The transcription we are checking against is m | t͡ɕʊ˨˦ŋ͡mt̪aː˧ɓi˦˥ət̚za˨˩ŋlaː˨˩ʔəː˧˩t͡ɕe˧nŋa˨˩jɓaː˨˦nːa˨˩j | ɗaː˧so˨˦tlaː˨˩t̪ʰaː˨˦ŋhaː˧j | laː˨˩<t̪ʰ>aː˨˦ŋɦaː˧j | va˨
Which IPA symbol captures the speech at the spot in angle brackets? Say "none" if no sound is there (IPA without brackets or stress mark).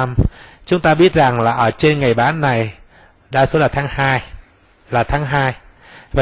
t̪ʰ